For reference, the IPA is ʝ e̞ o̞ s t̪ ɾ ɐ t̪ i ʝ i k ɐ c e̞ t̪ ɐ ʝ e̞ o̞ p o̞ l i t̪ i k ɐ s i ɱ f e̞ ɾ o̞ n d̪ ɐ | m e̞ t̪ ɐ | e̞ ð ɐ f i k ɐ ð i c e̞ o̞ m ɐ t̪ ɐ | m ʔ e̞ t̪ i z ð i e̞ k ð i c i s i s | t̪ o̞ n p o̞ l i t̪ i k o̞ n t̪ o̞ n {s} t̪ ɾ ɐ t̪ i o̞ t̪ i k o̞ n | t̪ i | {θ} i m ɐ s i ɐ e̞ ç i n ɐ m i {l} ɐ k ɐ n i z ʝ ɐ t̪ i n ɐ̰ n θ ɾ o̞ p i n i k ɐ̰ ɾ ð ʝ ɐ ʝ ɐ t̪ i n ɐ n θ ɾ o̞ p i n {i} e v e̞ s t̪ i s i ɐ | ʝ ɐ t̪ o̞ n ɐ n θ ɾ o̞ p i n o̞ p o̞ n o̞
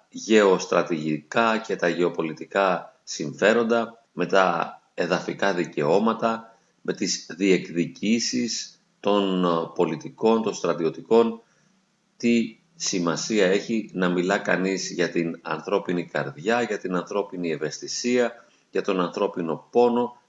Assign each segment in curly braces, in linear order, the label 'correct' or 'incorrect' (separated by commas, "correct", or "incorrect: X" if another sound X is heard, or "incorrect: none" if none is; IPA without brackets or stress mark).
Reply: correct, incorrect: s, correct, correct